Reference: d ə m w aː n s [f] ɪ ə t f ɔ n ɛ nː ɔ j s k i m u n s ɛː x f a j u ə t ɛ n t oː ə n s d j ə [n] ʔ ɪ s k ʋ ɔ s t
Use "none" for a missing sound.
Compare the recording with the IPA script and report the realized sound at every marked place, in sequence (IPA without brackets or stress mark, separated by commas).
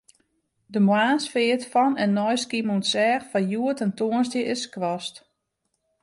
f, none